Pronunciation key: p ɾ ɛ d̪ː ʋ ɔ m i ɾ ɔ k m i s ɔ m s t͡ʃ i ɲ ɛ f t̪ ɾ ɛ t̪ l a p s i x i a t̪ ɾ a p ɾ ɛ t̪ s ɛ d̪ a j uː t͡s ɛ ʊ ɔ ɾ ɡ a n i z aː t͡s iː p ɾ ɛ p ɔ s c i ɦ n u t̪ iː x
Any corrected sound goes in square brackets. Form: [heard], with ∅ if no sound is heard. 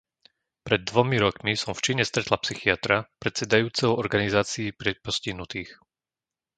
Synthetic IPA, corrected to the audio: p ɾ ɛ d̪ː ʋ ɔ m i ɾ ɔ k m i s ɔ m [f] t͡ʃ i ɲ ɛ [s] t̪ ɾ ɛ t̪ l a p s i x i a t̪ ɾ a p ɾ ɛ t̪ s ɛ d̪ a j uː t͡s ɛ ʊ ɔ ɾ ɡ a n i z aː t͡s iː p ɾ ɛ p ɔ s c i ɦ n u t̪ iː x